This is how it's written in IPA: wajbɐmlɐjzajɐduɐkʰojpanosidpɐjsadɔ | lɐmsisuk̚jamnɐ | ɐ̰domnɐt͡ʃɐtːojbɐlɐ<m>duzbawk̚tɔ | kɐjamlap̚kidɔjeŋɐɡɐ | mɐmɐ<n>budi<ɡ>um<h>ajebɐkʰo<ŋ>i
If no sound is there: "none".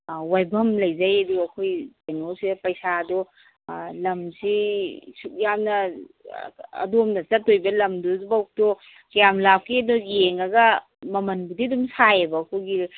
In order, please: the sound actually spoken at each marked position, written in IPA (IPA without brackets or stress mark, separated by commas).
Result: m, n, d, s, ɡ